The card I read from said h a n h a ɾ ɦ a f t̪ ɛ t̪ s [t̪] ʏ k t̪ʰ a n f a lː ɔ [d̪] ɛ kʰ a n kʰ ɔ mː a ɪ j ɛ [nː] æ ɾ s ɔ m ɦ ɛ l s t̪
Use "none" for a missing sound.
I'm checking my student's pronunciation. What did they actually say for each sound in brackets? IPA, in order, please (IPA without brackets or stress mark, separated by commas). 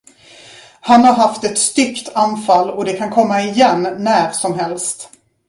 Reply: t̪, d̪, nː